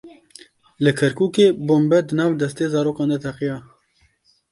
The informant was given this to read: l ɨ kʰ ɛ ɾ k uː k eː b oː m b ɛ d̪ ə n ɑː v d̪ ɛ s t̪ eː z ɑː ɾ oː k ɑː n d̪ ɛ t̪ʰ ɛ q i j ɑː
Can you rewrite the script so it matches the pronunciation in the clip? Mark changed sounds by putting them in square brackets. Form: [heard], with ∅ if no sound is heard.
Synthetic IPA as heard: l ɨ kʰ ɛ ɾ k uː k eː b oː m b ɛ d̪ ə n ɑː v d̪ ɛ s t̪ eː z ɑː ɾ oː k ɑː n d̪ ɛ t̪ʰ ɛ q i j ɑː